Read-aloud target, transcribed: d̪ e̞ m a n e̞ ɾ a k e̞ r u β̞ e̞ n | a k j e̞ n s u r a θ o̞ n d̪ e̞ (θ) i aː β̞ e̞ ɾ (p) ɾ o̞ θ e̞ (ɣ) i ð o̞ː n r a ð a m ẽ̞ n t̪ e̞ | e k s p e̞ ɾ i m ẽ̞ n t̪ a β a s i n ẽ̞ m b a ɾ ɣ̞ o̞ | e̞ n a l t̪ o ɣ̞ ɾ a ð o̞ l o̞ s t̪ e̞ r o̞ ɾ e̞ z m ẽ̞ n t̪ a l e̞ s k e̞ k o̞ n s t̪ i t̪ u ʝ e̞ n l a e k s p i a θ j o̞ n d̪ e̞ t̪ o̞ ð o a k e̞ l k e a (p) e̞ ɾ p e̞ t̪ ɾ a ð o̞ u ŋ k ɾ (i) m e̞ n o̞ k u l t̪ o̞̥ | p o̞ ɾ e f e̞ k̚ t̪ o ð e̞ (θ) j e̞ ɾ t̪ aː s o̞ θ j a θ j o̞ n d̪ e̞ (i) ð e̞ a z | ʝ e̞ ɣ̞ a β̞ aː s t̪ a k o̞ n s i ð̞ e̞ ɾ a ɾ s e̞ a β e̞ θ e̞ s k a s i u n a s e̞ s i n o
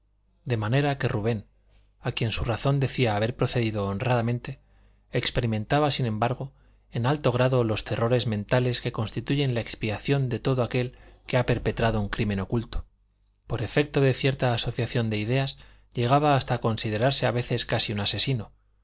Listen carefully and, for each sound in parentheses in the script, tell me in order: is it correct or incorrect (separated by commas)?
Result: correct, correct, incorrect, correct, correct, correct, correct